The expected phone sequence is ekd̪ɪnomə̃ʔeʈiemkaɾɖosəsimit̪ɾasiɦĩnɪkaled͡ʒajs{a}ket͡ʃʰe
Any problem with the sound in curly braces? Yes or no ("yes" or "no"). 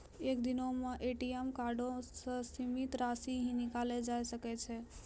yes